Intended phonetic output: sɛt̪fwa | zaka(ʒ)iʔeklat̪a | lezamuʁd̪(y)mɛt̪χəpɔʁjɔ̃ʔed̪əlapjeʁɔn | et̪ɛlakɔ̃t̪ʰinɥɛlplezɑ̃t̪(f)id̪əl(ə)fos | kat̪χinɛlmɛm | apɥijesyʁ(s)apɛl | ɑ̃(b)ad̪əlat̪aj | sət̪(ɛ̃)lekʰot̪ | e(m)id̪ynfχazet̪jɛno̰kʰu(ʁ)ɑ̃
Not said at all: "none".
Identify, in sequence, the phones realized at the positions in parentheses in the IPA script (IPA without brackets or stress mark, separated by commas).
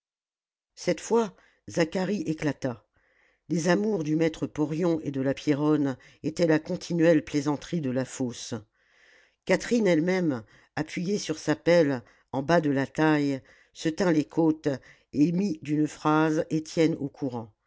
ʁ, y, χ, a, s, b, ɛ̃, m, ʁ